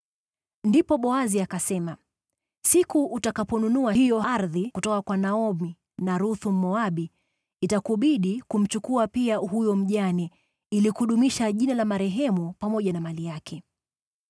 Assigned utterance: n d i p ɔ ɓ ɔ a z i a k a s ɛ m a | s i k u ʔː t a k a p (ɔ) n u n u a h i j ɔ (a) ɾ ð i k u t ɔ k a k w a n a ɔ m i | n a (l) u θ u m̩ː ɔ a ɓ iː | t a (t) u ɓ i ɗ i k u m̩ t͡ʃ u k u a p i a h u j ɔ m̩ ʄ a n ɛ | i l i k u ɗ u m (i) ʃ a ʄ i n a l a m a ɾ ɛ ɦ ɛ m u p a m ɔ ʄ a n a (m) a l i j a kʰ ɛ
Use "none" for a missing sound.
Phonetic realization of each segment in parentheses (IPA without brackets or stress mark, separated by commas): ɔ, a, ɾ, k, i, m